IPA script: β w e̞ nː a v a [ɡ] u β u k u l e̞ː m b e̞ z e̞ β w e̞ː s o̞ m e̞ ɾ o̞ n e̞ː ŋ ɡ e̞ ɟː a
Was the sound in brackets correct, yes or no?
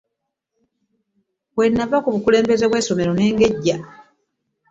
no